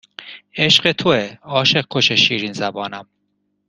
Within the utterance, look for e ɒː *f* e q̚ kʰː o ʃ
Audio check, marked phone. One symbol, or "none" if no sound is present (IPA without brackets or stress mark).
ʃ